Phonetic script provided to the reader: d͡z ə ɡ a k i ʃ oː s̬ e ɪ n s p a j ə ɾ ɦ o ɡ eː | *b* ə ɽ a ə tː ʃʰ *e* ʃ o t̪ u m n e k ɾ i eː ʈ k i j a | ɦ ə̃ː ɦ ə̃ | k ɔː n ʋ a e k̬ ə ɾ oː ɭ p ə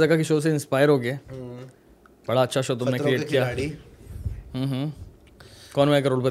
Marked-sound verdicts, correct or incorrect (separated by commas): correct, incorrect